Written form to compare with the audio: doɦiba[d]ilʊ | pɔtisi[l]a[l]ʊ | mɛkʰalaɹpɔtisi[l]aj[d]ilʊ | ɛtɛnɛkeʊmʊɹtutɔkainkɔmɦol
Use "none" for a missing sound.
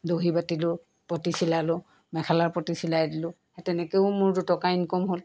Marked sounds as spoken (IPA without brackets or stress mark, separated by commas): t, l, l, l, d